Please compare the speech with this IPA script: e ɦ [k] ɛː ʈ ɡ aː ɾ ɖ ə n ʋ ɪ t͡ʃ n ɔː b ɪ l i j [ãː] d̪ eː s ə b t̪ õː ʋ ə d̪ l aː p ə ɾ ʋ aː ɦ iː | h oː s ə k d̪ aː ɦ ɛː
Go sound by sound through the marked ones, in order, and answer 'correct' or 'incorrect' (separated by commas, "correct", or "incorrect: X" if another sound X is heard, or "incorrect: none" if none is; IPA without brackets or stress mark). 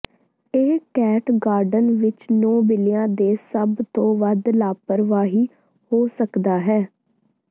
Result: correct, correct